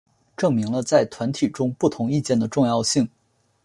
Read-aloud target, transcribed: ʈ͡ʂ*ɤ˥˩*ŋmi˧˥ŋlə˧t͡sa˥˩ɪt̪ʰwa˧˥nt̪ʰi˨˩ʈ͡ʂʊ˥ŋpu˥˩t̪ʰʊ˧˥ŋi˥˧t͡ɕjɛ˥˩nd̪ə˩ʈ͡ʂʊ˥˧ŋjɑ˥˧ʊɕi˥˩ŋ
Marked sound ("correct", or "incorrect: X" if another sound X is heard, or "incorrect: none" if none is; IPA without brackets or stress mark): correct